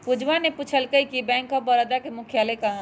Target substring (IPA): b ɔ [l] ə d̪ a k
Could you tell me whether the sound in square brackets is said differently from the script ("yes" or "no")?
yes